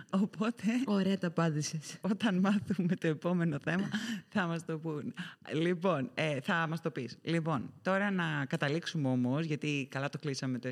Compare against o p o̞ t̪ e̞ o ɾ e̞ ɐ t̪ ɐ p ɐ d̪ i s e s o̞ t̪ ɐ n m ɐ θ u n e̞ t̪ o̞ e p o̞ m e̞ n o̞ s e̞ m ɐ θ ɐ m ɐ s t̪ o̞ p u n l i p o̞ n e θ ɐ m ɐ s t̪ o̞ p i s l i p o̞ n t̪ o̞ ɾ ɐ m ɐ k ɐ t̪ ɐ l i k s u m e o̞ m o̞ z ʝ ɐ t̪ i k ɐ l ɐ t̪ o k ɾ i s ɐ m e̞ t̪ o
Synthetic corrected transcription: o p o̞ t̪ e̞ o ɾ e̞ ɐ t̪ ɐ p ɐ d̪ i s e s o̞ t̪ ɐ n m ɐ θ u m e̞ t̪ o̞ e p o̞ m e̞ n o̞ θ e̞ m ɐ θ ɐ m ɐ s t̪ o̞ p u n l i p o̞ n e θ ɐ m ɐ s t̪ o̞ p i s l i p o̞ n t̪ o̞ ɾ ɐ n ɐ k ɐ t̪ ɐ l i k s u m e o̞ m o̞ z ʝ ɐ t̪ i k ɐ l ɐ t̪ o k l i s ɐ m e̞ t̪ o